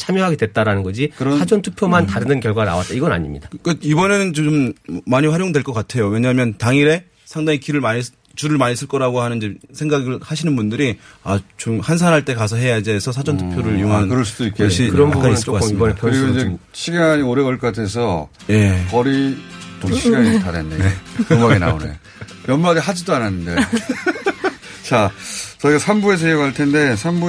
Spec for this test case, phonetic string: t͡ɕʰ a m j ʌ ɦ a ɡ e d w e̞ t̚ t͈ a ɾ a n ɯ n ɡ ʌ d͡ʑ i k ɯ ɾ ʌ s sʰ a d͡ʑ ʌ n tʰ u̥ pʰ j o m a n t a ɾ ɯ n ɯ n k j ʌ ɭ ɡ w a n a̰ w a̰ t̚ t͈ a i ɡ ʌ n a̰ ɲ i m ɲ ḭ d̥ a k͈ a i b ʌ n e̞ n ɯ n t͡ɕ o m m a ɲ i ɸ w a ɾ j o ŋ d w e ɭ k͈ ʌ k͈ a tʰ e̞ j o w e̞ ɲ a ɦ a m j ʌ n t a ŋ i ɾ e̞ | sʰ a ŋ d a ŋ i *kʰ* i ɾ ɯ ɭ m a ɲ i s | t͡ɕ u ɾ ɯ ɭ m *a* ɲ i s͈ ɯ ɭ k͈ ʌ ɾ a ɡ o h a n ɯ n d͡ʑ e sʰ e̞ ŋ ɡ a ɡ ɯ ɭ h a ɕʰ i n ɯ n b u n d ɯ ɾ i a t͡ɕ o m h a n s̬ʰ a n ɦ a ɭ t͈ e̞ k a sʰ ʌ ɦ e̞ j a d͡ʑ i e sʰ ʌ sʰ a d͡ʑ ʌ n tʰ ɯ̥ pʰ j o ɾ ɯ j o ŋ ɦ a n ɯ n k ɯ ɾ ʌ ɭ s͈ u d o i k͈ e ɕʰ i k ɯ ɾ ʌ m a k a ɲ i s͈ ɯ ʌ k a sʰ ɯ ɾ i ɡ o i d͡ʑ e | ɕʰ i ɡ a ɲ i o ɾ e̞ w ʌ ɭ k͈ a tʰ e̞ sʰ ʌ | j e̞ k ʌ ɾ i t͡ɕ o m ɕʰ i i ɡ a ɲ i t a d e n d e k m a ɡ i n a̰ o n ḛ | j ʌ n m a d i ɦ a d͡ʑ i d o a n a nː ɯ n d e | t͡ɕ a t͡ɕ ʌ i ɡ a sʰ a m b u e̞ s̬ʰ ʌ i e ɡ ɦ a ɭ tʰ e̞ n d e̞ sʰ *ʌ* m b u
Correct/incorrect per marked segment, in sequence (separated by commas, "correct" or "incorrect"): incorrect, correct, incorrect